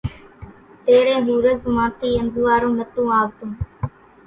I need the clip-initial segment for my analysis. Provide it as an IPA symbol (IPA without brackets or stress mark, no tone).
t̪